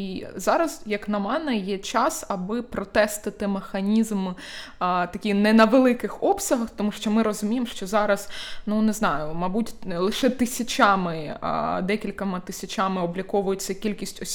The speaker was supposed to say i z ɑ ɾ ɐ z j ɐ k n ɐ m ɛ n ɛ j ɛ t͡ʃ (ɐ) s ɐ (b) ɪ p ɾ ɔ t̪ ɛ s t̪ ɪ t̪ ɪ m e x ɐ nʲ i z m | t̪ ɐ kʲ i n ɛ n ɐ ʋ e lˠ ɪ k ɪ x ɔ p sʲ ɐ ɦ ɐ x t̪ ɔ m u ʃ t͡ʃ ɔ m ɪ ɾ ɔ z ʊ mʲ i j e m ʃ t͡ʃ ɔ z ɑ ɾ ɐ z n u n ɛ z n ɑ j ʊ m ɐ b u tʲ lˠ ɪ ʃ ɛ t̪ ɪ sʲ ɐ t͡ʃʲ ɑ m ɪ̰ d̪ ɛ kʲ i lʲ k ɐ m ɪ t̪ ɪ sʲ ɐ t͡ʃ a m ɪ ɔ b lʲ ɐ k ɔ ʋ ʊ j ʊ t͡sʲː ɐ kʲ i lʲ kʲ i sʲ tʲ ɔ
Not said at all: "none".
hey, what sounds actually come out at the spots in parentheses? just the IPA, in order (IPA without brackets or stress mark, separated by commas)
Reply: ɑ, b